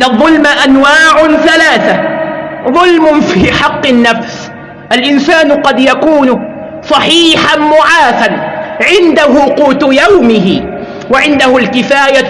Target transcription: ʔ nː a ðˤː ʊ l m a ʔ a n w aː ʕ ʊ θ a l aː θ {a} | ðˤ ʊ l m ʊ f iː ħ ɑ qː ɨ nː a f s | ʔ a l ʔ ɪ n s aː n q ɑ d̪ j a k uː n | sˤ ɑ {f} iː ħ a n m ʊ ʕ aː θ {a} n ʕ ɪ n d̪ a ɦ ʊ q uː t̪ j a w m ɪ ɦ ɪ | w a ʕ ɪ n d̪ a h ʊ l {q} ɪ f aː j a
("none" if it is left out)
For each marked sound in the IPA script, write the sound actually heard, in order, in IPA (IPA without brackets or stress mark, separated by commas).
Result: a, ħ, a, k